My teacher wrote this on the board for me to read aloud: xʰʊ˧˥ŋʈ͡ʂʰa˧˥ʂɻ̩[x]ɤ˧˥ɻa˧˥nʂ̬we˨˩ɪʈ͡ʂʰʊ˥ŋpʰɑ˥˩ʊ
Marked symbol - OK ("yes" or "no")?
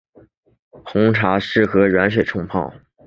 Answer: yes